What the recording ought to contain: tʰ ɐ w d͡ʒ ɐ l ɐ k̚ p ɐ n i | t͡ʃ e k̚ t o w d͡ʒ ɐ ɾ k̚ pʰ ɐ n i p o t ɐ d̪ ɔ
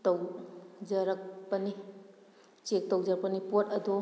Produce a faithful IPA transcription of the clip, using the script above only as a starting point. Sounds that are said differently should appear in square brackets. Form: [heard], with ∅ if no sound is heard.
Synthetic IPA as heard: [t] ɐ w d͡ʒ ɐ [ɾ] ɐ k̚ p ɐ n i | t͡ʃ e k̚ t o w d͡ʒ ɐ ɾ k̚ [p] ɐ n i p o t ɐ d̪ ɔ